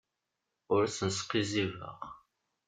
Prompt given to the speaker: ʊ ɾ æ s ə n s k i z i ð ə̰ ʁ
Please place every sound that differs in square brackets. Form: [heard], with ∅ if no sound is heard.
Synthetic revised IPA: ʊ ɾ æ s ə n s [q] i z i [v] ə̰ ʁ